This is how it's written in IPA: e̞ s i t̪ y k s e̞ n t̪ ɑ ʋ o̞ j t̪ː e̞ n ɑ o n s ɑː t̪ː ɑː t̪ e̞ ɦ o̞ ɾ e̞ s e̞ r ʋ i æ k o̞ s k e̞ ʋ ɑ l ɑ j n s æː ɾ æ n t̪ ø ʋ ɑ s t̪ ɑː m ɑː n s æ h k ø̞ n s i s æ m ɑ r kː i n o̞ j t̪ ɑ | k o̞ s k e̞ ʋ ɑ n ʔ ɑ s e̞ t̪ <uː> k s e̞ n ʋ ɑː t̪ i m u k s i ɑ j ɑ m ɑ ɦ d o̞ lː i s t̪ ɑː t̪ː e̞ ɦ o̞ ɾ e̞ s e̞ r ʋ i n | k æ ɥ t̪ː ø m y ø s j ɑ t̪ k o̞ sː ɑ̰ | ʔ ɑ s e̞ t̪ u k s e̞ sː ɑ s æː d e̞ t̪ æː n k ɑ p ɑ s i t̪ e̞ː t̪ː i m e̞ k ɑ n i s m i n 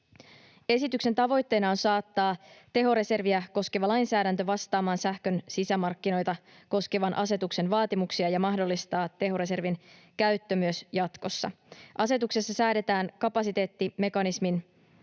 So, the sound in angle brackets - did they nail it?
no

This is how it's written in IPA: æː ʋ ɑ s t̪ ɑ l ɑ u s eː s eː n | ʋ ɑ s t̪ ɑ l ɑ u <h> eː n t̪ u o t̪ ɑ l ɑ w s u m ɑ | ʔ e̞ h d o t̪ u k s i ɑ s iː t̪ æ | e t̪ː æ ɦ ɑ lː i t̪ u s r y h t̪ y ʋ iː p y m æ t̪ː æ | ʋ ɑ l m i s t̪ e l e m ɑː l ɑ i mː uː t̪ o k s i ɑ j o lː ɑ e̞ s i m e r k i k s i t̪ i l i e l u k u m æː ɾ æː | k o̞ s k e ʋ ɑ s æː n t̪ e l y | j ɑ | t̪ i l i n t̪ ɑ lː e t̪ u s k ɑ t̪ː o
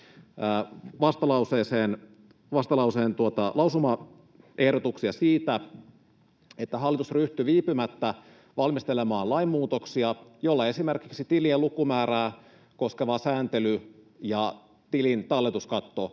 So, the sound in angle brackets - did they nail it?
no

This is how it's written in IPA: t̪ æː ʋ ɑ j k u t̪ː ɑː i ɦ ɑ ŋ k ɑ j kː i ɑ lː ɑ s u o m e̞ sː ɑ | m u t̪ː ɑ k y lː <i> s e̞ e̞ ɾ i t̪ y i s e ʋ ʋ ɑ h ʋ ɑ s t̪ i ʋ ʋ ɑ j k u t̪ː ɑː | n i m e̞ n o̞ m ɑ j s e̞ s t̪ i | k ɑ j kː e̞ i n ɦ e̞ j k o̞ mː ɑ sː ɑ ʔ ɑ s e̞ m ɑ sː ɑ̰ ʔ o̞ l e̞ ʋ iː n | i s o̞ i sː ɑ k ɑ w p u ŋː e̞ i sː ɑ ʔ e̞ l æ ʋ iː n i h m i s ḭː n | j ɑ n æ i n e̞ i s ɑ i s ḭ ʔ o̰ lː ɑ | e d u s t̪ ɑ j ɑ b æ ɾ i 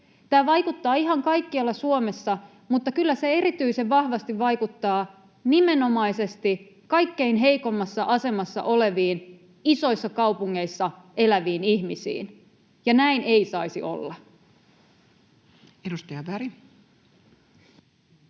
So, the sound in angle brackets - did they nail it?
no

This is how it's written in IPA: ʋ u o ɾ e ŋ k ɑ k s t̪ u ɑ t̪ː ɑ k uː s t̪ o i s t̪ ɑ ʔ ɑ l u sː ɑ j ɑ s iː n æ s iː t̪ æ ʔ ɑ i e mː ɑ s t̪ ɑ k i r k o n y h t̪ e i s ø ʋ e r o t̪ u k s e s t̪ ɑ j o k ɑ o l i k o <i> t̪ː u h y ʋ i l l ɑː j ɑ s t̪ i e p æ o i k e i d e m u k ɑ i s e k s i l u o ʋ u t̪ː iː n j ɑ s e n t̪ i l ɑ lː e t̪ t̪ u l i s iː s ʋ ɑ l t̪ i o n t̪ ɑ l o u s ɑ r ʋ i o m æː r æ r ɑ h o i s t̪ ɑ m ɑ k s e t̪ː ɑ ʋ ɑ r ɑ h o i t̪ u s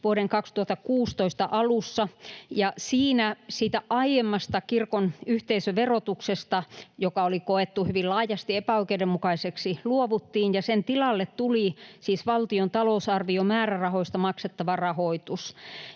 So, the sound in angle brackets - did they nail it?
no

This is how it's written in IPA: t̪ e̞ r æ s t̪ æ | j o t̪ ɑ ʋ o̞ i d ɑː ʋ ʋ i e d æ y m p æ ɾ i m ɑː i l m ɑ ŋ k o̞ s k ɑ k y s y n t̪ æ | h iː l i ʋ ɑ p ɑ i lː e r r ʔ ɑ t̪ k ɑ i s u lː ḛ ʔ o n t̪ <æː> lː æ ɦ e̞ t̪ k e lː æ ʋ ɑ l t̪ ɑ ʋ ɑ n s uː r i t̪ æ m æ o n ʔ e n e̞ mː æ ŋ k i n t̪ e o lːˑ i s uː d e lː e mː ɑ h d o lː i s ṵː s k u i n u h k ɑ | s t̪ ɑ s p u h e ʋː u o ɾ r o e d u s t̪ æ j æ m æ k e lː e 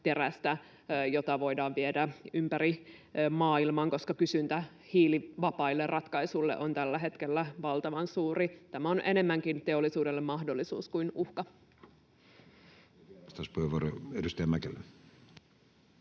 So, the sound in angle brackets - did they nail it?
no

